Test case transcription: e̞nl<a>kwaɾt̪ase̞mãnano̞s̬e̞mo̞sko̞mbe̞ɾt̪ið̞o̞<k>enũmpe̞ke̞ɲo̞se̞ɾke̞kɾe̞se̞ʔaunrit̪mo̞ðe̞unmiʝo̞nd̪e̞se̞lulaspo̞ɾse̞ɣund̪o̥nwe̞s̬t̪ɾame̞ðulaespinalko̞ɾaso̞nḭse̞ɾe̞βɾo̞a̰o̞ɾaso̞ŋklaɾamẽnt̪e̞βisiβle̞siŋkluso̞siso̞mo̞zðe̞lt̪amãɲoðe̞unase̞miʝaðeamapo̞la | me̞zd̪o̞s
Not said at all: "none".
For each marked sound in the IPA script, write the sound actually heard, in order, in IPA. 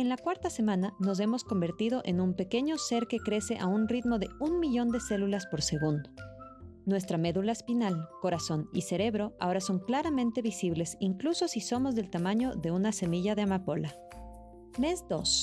a, ʔ

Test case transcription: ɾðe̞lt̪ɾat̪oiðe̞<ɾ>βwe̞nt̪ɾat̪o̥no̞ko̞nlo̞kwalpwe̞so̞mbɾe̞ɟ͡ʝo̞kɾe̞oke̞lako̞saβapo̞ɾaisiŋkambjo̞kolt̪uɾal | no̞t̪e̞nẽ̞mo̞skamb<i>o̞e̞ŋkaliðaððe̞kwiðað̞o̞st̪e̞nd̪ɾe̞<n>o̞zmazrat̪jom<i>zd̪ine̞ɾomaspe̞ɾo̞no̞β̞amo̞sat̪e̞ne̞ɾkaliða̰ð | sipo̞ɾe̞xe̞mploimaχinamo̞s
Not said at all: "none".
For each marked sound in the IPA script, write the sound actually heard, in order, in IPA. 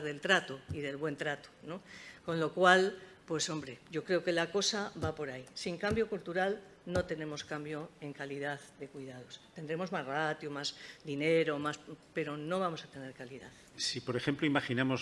l, j, m, a

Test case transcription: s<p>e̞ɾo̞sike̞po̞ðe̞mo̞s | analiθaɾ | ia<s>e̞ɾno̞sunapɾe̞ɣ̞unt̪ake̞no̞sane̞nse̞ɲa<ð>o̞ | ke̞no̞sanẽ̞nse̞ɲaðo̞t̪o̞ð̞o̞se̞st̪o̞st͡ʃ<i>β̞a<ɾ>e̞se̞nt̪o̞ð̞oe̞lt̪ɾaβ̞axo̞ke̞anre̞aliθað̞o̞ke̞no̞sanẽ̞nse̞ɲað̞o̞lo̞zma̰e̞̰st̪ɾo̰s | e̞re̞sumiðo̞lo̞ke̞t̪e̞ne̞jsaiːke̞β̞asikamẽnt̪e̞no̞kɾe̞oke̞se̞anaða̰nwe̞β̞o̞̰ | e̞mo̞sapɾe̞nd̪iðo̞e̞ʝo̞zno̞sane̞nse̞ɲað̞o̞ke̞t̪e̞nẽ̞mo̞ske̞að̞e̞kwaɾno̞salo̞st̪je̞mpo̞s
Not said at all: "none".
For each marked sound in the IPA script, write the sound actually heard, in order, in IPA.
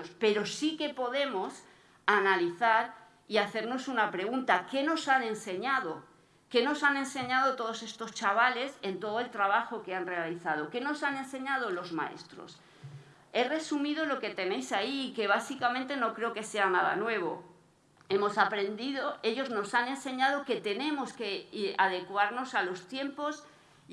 p, θ, ð, a, l

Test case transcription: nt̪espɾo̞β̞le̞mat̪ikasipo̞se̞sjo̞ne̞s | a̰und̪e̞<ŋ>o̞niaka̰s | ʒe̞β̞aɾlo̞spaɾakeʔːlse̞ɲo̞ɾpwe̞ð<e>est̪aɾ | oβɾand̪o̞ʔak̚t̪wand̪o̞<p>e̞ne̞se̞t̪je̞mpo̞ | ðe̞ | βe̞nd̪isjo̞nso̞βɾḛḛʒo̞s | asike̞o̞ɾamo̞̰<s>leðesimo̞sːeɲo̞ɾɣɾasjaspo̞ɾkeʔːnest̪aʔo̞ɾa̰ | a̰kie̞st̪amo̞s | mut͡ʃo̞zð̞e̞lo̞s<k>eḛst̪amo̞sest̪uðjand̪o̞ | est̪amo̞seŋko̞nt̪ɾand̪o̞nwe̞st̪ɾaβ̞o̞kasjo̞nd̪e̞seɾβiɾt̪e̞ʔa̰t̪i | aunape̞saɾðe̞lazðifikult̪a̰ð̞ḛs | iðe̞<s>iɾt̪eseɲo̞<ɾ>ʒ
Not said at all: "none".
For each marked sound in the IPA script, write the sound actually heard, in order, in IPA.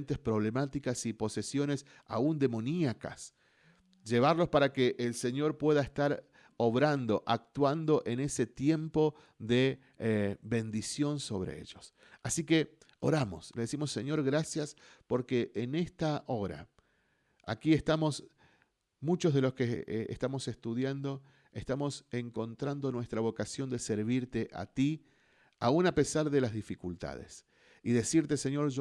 m, a, ʔ, s, k, s, ɾ

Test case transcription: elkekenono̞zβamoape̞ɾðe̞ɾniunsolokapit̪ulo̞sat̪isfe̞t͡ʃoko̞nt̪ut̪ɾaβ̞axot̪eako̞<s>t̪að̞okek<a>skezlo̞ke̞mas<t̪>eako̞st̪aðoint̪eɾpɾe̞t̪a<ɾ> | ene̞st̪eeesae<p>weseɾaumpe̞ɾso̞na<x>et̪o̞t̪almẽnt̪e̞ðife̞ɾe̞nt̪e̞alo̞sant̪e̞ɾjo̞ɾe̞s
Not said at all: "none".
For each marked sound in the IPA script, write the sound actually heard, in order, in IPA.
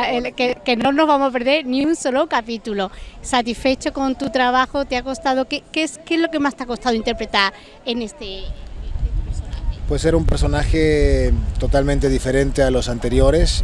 s, e, t̪, ɾ, p, x

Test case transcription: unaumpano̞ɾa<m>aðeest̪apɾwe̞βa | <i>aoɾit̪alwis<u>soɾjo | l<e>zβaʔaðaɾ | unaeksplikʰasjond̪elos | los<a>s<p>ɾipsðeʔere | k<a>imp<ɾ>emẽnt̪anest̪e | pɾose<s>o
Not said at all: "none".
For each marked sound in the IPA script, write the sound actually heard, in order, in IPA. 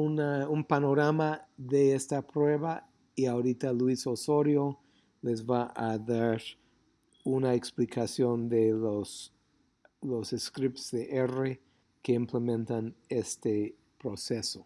m, i, o, e, e, k, e, l, s

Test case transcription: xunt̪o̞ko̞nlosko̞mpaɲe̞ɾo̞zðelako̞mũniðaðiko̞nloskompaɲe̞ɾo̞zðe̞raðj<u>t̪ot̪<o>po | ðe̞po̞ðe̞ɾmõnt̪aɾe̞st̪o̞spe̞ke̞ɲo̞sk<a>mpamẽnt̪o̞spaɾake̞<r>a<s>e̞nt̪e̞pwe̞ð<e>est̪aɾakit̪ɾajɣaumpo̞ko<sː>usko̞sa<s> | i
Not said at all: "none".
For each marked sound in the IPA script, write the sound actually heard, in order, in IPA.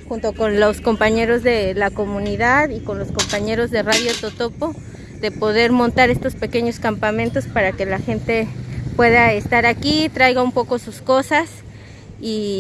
o, o, a, l, x, a, s, s

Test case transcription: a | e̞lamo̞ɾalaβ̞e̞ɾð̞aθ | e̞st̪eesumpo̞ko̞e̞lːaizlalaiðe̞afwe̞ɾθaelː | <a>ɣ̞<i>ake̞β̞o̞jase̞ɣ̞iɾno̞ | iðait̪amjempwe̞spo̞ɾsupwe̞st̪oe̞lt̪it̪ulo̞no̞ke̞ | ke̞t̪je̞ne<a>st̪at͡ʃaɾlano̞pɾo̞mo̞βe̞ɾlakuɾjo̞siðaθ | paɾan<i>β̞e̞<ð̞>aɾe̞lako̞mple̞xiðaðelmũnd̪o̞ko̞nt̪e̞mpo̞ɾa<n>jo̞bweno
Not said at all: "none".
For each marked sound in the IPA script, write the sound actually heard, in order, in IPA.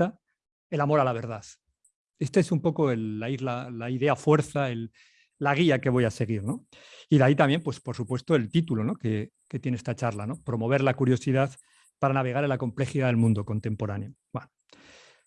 a, i, e, a, ɣ̞, n

